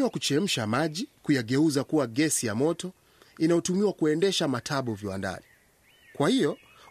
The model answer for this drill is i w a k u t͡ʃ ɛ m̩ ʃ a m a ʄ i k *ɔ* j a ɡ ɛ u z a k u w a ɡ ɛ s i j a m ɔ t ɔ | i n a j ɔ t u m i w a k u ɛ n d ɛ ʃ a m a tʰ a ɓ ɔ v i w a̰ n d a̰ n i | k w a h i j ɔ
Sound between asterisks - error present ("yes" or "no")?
yes